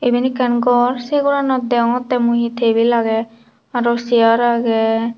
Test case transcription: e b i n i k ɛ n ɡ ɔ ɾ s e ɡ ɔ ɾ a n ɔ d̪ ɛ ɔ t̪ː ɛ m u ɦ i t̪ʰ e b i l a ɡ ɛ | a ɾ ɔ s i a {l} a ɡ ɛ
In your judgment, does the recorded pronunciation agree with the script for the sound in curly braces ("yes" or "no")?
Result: no